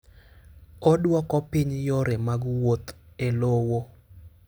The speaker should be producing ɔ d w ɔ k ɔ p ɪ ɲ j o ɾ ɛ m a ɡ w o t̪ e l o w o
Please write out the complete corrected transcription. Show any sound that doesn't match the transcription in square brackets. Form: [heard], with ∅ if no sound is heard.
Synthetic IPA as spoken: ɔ d w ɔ k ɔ p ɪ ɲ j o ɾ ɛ m a ɡ w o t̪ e l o w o